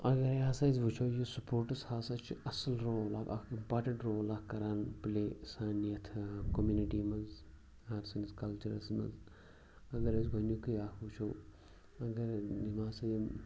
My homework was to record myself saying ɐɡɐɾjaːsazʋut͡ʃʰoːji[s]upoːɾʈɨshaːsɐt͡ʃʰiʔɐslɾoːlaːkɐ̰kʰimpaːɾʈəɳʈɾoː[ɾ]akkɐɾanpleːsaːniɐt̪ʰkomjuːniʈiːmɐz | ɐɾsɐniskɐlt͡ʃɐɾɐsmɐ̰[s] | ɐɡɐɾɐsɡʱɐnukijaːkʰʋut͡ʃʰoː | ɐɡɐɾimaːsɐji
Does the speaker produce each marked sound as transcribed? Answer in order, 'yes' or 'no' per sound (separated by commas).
yes, no, no